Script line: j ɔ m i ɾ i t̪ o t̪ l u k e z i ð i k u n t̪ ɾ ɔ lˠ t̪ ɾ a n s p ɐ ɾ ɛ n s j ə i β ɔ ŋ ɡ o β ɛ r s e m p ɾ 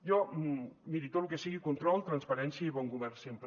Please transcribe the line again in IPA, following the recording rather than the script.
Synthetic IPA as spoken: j ɔ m i ɾ i t̪ o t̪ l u k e s i ɣ i k u n t̪ ɾ ɔ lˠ t̪ ɾ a n s p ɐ ɾ ɛ n s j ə i β ɔ ŋ ɡ u β ɛ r s e m p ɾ